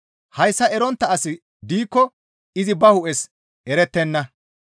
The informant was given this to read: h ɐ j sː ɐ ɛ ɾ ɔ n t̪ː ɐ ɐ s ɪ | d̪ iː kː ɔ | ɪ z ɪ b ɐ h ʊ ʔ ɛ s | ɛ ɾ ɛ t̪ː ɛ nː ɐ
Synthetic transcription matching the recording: h ɐ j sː ɐ ɛ ɾ ɔ n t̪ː ɐ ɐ s ɪ | d̪ iː kː ɔ | ɪ z ɪ b ɐ h ʊ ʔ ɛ s | ɛ ɾ ɛ t̪ː ɛ nː ɐ